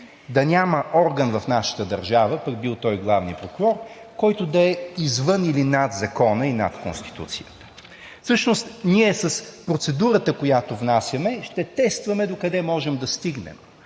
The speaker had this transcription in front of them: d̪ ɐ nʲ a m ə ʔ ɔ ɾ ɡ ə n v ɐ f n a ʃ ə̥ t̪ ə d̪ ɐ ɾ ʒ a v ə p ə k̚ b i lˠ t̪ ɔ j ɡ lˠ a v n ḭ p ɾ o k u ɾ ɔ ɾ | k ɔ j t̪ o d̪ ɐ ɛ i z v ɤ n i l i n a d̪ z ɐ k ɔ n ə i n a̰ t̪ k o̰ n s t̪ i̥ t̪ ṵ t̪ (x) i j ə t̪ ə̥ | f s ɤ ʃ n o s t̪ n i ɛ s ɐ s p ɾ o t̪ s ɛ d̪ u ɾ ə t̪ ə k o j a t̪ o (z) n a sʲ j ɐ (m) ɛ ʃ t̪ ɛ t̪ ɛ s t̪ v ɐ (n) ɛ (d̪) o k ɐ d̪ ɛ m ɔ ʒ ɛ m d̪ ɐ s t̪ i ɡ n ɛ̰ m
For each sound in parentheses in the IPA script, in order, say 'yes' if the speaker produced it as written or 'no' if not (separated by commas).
no, no, yes, no, yes